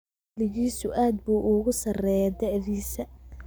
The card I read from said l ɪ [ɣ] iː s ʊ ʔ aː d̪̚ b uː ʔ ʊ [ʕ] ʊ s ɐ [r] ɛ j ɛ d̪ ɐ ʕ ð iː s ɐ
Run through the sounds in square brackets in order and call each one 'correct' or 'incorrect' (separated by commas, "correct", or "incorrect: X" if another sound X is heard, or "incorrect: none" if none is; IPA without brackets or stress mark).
correct, incorrect: ɣ, correct